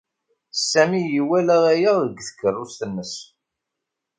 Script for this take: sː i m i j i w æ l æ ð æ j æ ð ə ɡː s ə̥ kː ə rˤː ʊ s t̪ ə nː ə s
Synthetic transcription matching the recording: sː æ m i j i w æ l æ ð æ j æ ð ə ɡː θ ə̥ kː ə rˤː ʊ s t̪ ə nː ə s